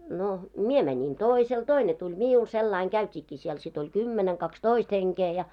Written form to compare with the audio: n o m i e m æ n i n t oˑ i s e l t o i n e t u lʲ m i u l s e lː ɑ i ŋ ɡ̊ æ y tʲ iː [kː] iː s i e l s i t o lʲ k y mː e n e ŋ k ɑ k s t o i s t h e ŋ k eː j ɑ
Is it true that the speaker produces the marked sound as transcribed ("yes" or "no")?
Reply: yes